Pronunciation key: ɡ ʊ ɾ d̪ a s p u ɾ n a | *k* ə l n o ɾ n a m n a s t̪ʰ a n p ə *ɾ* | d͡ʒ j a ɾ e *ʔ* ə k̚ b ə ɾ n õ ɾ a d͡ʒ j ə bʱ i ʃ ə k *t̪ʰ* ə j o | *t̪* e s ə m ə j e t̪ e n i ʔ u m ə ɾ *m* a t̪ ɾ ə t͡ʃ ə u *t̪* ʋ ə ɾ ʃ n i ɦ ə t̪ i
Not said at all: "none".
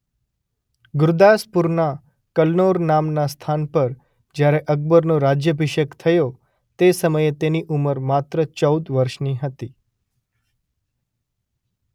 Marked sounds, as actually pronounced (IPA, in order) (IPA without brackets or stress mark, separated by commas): k, ɾ, ʔ, t̪ʰ, t̪, m, d̪